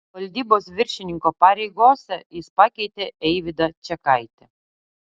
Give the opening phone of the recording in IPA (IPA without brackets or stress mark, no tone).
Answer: ʋ